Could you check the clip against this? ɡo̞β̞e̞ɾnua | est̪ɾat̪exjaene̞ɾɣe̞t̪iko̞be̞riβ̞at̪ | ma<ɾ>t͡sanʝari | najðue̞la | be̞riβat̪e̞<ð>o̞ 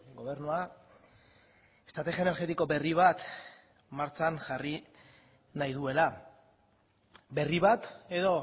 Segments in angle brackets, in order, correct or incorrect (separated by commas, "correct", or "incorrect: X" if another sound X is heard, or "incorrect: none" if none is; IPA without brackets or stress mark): correct, correct